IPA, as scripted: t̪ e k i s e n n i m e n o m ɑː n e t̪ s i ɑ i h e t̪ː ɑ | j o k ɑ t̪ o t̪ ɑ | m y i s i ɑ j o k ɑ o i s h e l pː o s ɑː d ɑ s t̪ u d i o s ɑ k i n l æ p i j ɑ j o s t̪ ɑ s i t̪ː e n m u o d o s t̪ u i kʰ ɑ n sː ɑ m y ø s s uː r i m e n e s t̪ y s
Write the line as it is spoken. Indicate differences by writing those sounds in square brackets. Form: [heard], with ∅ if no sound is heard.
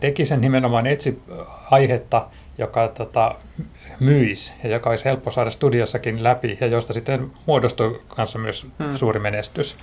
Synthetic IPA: t̪ e k i s e n n i m e n o m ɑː n e t̪ s i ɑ i h e t̪ː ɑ | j o k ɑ t̪ o t̪ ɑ | m y i s [j] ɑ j o k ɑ o i s h e l pː o s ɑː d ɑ s t̪ u d i o [sː] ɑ k i n l æ p i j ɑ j o s t̪ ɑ s i t̪ː e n m u o d o s t̪ u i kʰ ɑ n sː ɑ m y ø s s uː r i m e n e s t̪ y s